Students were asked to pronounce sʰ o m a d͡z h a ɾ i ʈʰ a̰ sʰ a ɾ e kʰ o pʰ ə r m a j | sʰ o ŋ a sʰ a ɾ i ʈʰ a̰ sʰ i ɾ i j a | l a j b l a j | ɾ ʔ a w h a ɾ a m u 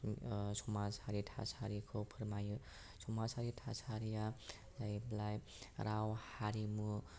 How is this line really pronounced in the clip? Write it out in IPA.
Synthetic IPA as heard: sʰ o m a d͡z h a ɾ i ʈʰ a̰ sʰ a ɾ i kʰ o pʰ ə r m a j | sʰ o m a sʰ a ɾ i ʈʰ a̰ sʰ a ɾ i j a | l a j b l a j | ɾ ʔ a w h a ɾ i m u